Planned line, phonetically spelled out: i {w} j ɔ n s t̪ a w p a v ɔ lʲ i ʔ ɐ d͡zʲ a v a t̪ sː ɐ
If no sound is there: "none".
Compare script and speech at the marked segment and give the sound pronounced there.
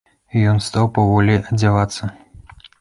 none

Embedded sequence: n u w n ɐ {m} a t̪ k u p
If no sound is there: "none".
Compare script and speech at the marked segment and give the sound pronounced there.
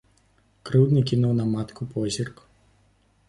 m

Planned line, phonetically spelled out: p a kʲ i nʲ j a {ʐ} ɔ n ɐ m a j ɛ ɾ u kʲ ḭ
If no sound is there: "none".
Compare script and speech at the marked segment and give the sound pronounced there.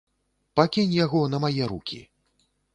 ɣ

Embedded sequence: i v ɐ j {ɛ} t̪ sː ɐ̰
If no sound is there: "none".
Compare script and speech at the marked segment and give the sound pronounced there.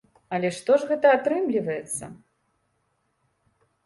ɛ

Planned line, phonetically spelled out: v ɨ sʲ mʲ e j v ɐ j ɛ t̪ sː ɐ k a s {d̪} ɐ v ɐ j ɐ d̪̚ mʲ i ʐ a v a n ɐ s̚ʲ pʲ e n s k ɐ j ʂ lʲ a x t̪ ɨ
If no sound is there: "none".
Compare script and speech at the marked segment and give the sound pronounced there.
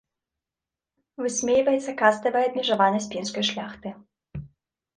t̪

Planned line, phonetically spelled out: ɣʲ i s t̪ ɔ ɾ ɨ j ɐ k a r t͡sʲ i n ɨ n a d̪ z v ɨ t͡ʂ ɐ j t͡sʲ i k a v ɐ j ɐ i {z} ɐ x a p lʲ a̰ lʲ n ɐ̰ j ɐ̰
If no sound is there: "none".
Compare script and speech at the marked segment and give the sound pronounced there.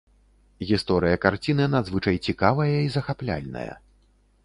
z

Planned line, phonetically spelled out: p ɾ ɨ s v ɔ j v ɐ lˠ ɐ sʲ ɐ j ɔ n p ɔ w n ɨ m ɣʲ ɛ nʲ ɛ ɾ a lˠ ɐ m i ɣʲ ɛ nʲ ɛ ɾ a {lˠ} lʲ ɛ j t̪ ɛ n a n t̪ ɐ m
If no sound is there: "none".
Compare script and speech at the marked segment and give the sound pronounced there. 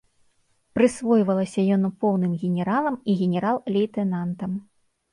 lˠ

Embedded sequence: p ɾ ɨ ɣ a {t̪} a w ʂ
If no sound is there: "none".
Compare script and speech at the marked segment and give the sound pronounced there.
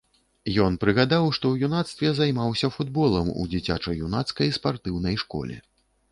d̪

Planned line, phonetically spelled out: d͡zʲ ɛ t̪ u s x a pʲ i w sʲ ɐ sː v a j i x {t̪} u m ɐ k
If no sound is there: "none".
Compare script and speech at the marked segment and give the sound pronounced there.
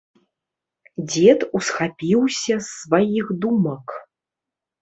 d̪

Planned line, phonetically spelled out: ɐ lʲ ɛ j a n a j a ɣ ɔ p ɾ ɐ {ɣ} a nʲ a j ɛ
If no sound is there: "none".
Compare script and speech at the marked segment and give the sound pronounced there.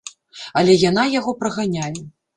ɣ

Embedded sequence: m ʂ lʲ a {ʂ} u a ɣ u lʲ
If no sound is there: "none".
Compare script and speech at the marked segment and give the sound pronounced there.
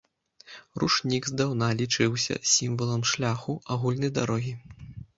x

